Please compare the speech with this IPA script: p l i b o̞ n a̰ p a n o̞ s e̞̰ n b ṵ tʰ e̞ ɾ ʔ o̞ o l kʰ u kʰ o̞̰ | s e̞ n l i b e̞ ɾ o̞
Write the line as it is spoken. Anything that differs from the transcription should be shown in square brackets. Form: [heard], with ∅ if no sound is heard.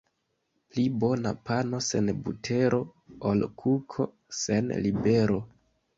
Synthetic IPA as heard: p l i b o̞ n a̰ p a n o̞ s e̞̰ n b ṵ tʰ e̞ ɾ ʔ o̞ o l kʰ u kʰ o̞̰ | s e̞ n l i b e̞ ɾ o̞